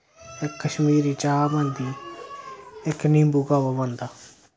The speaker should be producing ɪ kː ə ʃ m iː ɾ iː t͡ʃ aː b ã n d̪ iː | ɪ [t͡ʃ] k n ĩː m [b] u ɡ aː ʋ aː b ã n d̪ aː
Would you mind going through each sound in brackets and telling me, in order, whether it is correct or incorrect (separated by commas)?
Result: incorrect, correct